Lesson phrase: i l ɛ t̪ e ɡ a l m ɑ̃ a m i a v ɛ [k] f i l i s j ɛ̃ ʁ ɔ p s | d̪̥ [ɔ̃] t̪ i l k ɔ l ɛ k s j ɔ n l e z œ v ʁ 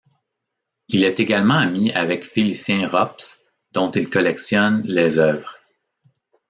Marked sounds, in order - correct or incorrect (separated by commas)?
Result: correct, correct